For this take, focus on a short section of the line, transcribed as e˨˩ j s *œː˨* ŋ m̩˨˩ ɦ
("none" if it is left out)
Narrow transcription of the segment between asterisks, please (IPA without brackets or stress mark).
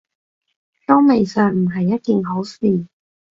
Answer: œː˨